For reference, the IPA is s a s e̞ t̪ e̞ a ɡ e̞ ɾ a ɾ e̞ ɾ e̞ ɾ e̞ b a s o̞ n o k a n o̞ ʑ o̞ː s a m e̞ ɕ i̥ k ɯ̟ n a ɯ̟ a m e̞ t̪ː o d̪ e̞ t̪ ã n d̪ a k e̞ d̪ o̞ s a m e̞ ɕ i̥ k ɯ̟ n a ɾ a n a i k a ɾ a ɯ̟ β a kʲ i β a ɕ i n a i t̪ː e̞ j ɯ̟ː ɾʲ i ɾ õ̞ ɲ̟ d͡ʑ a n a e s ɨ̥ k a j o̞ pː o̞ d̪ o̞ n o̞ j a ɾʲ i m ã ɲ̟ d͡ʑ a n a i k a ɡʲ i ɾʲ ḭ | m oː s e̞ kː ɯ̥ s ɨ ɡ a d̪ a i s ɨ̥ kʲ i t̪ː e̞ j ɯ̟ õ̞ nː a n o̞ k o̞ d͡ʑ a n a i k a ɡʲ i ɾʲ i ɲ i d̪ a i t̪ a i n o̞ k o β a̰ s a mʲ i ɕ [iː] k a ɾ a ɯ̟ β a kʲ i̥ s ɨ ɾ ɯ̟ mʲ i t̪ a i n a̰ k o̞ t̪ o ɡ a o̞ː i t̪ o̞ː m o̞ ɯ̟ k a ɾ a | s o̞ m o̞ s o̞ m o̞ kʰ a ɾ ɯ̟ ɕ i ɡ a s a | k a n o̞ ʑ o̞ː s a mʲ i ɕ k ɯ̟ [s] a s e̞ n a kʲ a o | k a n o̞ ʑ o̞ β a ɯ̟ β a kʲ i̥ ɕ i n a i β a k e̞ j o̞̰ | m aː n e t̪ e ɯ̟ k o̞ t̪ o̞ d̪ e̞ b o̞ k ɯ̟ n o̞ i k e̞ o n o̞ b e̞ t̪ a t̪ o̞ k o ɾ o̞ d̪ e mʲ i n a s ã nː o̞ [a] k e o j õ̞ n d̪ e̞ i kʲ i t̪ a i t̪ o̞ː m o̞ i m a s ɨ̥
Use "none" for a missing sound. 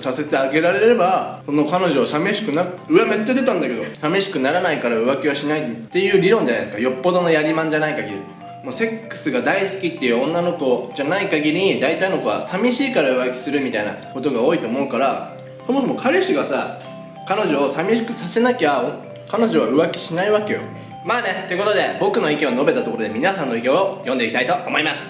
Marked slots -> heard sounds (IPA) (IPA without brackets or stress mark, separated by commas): iː, s, i